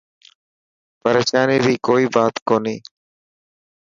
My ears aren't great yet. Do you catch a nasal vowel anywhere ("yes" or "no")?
no